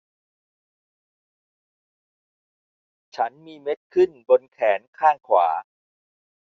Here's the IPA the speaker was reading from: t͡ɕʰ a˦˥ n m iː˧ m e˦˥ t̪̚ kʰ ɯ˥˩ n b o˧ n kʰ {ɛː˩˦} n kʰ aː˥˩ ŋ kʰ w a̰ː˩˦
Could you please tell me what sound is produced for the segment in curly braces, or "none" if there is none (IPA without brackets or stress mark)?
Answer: ɛː˩˦